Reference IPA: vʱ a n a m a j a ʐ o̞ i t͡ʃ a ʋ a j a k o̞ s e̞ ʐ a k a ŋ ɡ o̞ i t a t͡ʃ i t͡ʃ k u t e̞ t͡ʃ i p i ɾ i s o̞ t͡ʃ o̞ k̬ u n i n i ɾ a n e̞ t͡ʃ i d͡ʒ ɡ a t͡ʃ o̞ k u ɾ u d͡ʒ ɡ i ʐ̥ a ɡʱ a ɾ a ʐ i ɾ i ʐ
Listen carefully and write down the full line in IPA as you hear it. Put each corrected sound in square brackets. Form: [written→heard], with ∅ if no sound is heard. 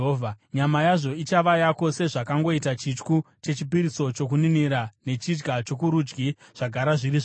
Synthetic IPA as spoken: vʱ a [n→ɲ] a m a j a ʐ o̞ i t͡ʃ a ʋ a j a k o̞ s e̞ ʐ a k a ŋ ɡ o̞ i t a t͡ʃ i t͡ʃ k u [t→t͡ʃ] e̞ t͡ʃ i p i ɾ i s o̞ t͡ʃ o̞ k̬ u n i n i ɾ a n e̞ t͡ʃ i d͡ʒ ɡ a t͡ʃ o̞ k u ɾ u d͡ʒ ɡ i ʐ̥ a ɡʱ a ɾ a ʐ i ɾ i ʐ